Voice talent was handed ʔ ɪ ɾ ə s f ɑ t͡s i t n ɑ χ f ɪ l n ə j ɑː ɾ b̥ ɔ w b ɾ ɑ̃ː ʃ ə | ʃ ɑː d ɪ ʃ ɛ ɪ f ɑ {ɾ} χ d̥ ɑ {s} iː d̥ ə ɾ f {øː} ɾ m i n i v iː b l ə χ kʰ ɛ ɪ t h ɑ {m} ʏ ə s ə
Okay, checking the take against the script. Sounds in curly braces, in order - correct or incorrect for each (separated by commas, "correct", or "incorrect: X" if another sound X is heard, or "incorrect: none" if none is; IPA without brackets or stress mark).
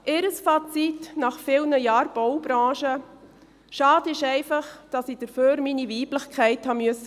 incorrect: none, correct, correct, correct